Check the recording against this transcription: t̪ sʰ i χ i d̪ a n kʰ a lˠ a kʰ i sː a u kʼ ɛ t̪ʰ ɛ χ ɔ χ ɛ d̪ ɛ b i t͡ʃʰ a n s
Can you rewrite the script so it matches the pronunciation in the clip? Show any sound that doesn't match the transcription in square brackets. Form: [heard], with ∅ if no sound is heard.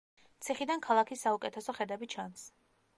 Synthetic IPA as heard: t̪ sʰ i χ i d̪ a n kʰ a lˠ a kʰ i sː a u kʼ ɛ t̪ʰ ɛ [s] ɔ χ ɛ d̪ ɛ b i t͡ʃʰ a n s

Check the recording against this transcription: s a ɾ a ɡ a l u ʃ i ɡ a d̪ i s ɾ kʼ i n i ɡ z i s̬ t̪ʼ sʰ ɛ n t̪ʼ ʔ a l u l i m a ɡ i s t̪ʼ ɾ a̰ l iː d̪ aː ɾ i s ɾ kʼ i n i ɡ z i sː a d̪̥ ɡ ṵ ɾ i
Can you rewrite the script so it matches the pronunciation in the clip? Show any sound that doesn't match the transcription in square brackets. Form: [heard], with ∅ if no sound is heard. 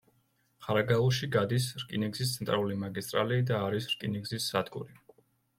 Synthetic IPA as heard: [χ] a ɾ a ɡ a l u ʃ i ɡ a d̪ i s ɾ kʼ i n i ɡ z i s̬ [t̪] sʰ ɛ n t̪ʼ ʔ a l u l i m a ɡ i s t̪ʼ ɾ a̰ l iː d̪ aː ɾ i s ɾ kʼ i n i ɡ z i sː a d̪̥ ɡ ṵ ɾ i

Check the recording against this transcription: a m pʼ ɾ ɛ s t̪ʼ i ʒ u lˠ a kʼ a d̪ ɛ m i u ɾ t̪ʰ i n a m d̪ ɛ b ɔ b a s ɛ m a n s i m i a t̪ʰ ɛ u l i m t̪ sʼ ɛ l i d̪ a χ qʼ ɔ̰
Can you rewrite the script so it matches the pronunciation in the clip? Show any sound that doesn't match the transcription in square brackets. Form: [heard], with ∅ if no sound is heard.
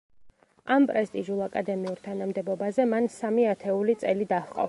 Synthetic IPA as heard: a m pʼ ɾ ɛ s t̪ʼ i ʒ u lˠ a kʼ a d̪ ɛ m i u ɾ t̪ʰ [a] n a m d̪ ɛ b ɔ b a [z] ɛ m a n s [a] m i a t̪ʰ ɛ u l i [∅] t̪ sʼ ɛ l i d̪ a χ qʼ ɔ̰

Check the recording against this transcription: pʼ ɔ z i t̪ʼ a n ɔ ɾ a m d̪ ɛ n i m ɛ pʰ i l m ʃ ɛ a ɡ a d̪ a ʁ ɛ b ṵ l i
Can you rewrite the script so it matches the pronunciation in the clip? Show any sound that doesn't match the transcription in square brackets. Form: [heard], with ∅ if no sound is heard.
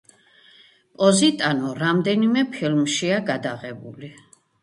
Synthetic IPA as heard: pʼ ɔ z i t̪ʼ a n ɔ ɾ a m d̪ ɛ n i m ɛ pʰ i l m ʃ [i] a ɡ a d̪ a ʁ ɛ b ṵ l i

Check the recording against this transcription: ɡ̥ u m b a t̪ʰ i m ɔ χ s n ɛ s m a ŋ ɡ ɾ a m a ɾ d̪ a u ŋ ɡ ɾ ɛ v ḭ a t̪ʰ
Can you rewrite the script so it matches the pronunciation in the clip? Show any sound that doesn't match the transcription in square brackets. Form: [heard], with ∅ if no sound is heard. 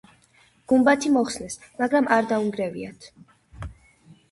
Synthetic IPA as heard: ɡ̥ u m b a t̪ʰ i m ɔ χ s n ɛ s m a [∅] ɡ ɾ a m a ɾ d̪ a u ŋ ɡ ɾ ɛ v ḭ a t̪ʰ

